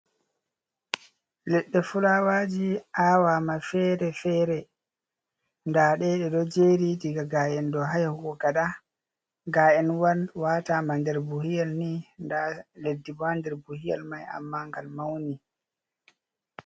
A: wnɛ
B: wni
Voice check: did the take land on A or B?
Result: B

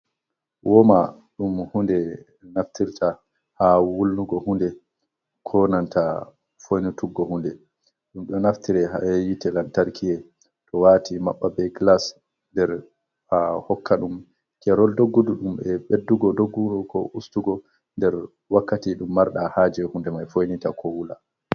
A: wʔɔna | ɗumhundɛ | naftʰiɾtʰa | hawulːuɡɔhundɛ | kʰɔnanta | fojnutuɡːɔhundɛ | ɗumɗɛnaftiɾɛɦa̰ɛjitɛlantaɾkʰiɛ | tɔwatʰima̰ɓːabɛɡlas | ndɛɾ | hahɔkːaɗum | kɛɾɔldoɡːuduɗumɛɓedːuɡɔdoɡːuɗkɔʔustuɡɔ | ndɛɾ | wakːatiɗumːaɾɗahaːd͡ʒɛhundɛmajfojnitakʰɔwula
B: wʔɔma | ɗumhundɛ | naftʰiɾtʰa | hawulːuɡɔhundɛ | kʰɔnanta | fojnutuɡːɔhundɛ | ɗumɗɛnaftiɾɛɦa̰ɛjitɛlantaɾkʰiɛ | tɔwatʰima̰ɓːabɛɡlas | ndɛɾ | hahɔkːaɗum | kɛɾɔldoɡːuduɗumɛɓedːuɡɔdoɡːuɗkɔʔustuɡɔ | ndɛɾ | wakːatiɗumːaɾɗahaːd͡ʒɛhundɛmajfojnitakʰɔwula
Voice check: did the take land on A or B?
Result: B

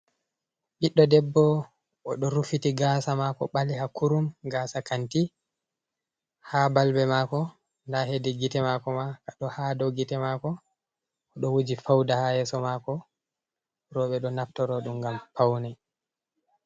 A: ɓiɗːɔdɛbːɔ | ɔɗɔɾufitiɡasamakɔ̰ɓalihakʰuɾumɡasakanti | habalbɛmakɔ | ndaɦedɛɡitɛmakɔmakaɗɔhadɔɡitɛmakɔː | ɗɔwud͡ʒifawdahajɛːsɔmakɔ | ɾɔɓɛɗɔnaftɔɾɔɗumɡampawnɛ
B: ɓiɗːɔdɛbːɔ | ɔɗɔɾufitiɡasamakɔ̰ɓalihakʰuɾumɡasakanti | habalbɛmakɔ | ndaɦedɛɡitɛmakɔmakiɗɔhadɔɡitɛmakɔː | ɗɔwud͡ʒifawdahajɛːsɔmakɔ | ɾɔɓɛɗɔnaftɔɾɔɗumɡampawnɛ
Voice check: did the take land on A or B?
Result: A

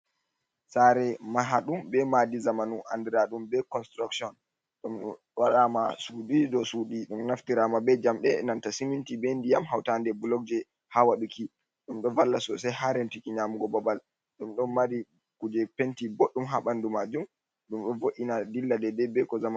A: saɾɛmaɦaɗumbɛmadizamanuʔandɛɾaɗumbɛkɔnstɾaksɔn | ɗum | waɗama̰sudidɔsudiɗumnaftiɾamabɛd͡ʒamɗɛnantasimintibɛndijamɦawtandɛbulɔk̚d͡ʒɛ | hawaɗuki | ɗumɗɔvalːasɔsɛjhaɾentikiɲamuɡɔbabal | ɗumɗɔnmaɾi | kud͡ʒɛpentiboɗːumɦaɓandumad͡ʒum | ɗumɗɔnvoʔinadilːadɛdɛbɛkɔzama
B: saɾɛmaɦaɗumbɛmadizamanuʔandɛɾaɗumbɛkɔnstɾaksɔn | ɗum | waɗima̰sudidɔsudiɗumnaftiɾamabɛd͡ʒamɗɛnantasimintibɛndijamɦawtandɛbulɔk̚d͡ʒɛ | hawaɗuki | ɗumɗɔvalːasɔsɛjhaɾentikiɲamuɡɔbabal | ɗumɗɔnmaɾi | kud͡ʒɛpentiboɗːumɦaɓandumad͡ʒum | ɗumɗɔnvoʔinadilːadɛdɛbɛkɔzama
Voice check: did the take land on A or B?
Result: A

